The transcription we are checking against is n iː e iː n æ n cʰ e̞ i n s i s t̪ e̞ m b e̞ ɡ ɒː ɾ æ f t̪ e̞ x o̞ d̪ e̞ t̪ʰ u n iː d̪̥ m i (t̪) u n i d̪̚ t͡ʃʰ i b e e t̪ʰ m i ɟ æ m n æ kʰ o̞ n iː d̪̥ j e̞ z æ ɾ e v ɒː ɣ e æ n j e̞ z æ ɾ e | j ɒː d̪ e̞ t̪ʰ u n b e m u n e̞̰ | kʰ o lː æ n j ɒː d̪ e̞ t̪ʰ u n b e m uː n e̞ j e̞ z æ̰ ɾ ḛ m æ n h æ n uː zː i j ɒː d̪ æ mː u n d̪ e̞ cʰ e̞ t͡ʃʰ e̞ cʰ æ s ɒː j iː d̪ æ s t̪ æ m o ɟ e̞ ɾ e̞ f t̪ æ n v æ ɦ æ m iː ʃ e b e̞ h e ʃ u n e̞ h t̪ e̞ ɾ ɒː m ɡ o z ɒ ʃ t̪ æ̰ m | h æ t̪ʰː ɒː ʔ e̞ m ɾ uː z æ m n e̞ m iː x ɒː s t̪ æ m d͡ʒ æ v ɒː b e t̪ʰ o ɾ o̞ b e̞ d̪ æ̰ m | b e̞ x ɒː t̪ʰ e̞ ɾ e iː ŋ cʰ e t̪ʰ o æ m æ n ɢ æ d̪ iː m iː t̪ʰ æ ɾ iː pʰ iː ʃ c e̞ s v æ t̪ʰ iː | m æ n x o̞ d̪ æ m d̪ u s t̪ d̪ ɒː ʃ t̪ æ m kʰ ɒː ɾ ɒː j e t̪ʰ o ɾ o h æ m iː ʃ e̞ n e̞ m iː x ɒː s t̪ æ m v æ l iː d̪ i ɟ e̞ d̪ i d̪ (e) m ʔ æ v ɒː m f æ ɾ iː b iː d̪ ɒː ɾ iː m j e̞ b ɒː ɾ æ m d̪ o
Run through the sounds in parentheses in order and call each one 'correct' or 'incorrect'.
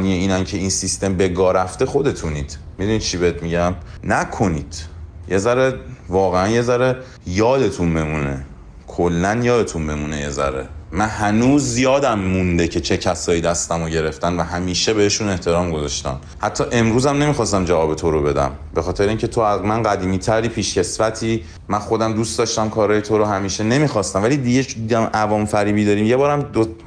incorrect: d̪, incorrect: æ

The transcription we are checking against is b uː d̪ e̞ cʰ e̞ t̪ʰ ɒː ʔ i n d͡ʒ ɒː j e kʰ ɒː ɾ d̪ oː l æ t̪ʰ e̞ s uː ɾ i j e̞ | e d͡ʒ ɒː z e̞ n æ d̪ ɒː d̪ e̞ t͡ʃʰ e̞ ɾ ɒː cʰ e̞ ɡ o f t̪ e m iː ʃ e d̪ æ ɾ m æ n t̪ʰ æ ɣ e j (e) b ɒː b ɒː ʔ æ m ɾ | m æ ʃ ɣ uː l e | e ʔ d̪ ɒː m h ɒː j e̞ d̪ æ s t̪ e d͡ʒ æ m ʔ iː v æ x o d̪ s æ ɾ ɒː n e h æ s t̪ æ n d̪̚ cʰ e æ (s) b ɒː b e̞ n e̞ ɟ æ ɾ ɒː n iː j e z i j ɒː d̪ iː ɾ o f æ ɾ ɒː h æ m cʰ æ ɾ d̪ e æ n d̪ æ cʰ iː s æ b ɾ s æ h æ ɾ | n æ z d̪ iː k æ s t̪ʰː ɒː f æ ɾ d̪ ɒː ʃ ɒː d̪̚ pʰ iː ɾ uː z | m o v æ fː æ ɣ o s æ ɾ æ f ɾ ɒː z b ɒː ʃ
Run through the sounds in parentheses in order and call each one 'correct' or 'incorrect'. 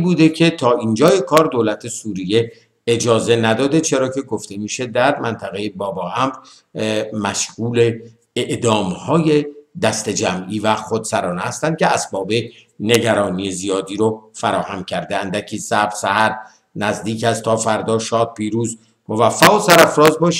correct, correct

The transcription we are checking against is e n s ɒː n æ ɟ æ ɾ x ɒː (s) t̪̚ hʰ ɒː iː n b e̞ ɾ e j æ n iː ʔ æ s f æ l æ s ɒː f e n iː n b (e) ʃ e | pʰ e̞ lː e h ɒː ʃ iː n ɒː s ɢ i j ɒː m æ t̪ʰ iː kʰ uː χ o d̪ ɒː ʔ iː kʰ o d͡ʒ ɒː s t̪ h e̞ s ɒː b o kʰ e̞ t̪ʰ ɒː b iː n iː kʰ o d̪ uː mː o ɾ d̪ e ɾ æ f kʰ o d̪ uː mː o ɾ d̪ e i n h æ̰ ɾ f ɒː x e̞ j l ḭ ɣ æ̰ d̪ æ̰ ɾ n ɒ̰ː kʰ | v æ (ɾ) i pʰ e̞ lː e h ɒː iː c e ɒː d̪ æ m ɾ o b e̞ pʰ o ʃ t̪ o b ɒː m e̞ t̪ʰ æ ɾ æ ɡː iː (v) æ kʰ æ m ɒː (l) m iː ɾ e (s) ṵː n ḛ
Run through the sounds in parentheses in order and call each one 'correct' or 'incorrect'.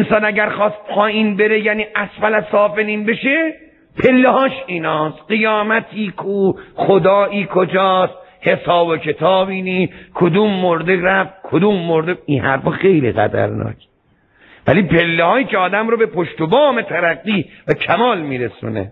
correct, correct, incorrect: l, correct, correct, correct

